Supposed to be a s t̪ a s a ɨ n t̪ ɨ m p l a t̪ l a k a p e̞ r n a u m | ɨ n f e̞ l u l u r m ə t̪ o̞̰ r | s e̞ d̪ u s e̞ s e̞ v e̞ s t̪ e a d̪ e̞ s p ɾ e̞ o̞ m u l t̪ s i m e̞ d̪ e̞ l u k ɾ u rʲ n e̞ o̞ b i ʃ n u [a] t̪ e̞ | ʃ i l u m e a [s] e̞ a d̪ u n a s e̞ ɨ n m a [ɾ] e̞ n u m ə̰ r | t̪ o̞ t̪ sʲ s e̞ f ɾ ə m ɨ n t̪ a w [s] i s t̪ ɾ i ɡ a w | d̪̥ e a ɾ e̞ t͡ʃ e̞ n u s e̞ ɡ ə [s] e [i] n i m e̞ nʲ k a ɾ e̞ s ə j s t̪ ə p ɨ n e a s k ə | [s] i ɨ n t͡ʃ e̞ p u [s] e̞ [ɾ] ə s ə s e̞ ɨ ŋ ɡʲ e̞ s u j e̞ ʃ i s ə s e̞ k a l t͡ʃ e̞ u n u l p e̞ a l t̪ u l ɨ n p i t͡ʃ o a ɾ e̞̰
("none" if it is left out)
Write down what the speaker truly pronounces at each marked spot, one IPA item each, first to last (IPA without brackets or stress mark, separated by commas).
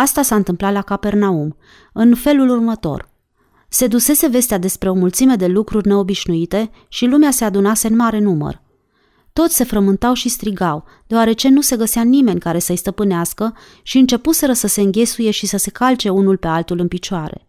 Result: i, s, ɾ, ʃ, s, a, ʃ, s, ɾ